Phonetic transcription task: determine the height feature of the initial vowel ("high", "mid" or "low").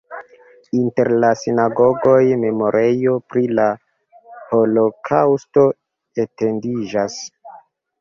high